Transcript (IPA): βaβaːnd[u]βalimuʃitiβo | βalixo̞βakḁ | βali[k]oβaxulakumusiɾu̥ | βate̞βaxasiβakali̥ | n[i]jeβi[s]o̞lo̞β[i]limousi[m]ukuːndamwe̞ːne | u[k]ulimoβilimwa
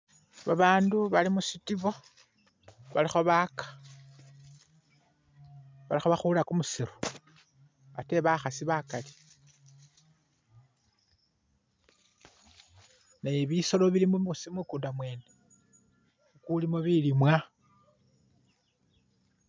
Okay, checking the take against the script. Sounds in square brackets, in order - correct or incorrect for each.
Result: correct, incorrect, incorrect, correct, correct, correct, correct

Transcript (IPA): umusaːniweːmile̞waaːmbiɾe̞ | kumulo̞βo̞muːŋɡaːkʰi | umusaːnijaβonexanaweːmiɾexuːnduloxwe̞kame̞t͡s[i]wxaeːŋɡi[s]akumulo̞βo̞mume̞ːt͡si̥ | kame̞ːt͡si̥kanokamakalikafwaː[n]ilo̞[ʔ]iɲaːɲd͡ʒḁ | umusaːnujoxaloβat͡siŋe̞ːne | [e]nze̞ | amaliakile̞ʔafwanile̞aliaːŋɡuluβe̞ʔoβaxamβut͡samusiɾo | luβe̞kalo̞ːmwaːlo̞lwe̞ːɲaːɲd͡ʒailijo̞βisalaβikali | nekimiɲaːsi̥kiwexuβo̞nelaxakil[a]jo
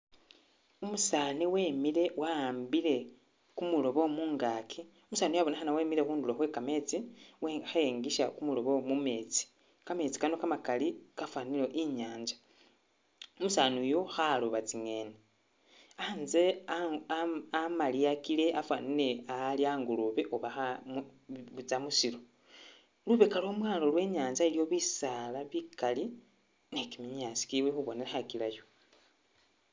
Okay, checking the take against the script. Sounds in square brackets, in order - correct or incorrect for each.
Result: correct, incorrect, correct, correct, incorrect, correct

